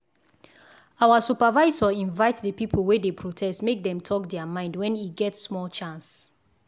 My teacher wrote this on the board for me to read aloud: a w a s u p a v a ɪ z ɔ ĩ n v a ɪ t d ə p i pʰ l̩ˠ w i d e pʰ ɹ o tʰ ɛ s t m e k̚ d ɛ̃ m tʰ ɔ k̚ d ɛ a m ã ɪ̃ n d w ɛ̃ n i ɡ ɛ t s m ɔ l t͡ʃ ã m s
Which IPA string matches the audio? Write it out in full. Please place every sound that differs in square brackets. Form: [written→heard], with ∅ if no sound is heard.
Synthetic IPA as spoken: a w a s u p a v a ɪ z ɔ ĩ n v a ɪ t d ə p i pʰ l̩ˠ w [i→e] d e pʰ ɹ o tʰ ɛ s t m e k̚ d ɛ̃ m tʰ ɔ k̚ d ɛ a m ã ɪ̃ n d w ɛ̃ n i ɡ ɛ t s m ɔ l t͡ʃ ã [m→n] s